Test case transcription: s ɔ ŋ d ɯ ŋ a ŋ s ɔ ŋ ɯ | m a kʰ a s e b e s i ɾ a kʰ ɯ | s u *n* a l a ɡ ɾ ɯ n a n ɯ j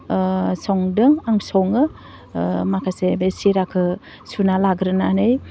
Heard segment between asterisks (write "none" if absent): n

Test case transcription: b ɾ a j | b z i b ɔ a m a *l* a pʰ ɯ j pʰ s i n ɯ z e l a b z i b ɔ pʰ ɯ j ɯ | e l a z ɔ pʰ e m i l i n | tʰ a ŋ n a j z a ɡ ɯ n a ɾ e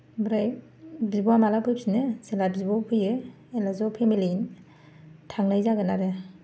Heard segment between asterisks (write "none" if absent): l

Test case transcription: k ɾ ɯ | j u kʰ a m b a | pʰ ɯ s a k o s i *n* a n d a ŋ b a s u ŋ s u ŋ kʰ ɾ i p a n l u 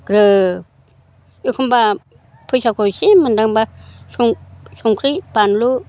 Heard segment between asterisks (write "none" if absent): m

